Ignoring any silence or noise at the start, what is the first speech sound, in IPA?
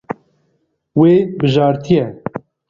w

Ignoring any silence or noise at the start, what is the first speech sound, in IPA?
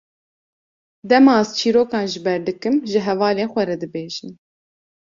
d̪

